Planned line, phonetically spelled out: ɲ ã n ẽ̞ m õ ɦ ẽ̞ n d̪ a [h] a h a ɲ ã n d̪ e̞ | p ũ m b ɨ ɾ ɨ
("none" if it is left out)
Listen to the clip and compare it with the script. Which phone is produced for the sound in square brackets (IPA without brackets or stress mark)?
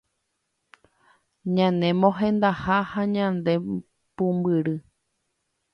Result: h